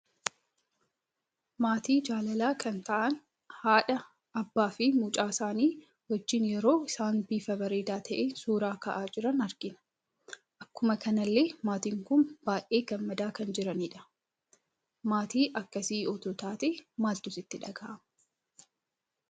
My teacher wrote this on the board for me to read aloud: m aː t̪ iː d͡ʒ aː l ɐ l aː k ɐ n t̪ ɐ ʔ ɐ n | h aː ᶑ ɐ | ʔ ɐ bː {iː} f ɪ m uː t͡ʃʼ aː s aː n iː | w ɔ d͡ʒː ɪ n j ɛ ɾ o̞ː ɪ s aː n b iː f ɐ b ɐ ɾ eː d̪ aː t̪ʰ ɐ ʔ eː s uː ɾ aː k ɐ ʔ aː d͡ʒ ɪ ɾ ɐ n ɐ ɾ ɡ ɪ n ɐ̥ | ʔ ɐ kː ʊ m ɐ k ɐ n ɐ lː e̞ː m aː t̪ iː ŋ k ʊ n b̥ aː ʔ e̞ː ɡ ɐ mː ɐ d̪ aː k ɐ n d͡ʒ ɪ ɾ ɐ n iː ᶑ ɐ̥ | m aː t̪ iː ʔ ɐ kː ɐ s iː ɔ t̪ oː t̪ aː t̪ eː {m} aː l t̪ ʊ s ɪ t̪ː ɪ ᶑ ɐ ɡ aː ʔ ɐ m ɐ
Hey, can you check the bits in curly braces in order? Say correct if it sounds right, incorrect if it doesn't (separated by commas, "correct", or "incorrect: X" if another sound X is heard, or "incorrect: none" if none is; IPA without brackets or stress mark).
incorrect: aː, correct